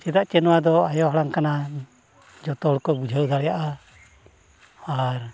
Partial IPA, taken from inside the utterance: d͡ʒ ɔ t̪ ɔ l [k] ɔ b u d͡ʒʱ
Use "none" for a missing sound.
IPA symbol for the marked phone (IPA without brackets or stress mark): k